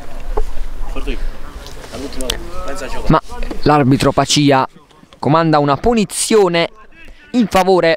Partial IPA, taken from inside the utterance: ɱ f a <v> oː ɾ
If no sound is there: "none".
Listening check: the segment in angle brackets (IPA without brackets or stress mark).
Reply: v